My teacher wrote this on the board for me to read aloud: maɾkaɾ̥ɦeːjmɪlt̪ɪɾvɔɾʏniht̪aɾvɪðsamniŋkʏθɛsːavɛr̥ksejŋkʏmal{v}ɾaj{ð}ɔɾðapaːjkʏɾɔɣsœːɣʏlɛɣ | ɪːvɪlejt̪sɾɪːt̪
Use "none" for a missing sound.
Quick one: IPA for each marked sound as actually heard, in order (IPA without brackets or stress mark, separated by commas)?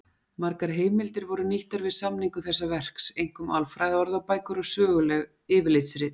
f, ð